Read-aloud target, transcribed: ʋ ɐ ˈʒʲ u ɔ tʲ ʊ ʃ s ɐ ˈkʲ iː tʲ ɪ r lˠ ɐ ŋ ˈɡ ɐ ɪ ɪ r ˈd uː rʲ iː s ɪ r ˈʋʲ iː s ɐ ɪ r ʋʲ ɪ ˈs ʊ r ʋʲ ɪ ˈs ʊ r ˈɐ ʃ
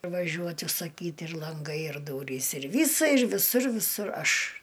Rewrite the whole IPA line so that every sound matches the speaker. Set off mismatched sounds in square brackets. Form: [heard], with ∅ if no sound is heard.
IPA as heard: ʋ ɐ ˈʒʲ u ɔ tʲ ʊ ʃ s ɐ ˈkʲ iː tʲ ɪ r lˠ ɐ ŋ ˈɡ ɐ ɪ ɪ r ˈd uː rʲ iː s ɪ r ˈʋʲ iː s ɐ ɪ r ʋʲ ɪ ˈs ʊ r ʋʲ ɪ ˈs ʊ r ˈɐ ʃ